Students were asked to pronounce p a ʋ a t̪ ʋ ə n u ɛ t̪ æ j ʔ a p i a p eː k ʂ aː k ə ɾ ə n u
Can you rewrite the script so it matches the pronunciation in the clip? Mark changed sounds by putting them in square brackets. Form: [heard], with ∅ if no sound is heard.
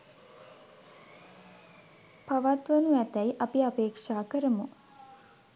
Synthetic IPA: p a ʋ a t̪ ʋ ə n u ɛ t̪ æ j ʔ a p i a p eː k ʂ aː k ə ɾ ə [m] u